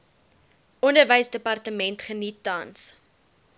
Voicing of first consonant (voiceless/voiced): voiced